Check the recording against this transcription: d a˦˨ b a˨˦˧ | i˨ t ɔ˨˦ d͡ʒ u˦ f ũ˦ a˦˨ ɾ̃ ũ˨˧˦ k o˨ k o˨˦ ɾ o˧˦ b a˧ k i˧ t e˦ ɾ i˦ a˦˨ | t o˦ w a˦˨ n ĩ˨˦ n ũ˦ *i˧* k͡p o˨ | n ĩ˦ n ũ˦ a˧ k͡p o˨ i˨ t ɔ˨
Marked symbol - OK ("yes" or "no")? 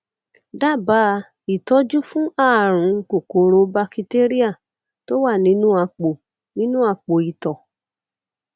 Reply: no